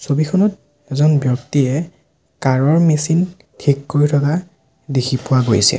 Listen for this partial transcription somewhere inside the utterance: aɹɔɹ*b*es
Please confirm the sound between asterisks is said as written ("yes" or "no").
no